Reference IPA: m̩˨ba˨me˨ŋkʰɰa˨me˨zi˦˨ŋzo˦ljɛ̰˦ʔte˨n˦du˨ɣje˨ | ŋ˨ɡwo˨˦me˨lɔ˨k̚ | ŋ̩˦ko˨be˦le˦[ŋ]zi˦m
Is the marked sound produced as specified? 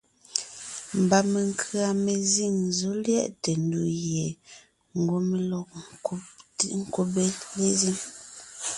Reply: no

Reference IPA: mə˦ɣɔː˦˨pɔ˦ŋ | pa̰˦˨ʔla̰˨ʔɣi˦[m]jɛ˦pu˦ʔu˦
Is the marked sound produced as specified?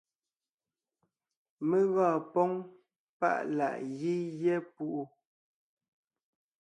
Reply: no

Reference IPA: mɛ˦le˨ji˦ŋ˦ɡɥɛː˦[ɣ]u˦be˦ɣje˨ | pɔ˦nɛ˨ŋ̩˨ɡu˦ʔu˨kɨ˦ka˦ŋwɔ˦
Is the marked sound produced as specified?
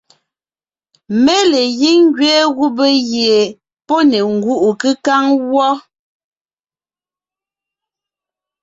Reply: yes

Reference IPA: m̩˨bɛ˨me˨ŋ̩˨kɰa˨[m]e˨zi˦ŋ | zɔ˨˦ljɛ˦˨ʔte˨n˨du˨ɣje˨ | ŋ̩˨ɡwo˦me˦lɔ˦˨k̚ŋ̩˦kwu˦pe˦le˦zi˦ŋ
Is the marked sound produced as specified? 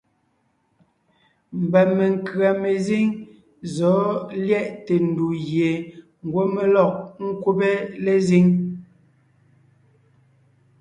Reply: yes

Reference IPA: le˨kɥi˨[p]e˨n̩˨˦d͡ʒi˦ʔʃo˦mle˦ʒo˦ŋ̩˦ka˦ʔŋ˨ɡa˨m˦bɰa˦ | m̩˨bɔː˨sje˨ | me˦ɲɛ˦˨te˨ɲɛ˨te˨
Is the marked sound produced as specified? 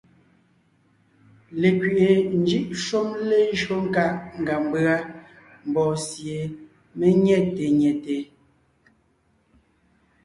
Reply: no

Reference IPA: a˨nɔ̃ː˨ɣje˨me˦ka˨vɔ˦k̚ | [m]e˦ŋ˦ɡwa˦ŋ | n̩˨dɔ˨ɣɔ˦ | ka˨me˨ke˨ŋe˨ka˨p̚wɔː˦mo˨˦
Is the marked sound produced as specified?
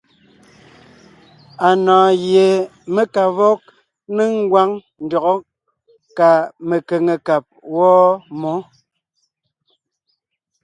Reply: no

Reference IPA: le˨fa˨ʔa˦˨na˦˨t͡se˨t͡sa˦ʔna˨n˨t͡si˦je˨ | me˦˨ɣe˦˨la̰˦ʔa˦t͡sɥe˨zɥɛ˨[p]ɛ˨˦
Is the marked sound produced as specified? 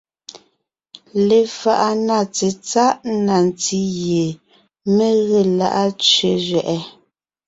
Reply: no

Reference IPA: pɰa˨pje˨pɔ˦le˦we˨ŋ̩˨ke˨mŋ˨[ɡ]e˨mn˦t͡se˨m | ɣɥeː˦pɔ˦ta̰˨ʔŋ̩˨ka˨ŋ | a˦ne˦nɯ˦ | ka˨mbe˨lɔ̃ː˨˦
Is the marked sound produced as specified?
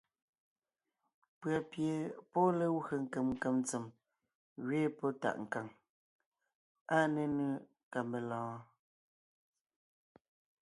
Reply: no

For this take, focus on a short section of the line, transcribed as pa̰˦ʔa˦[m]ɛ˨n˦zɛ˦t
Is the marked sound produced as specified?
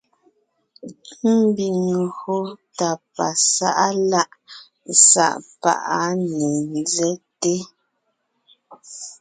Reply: no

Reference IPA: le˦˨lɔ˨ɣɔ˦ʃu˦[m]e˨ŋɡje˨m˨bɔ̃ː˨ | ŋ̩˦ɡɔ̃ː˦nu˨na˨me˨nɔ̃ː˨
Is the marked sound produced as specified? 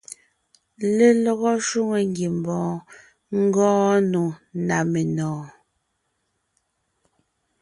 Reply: no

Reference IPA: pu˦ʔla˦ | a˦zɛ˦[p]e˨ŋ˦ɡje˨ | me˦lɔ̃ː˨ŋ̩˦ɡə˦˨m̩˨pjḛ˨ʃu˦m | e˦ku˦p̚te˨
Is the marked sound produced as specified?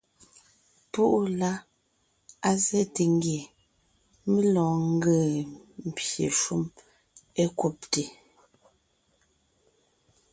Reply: no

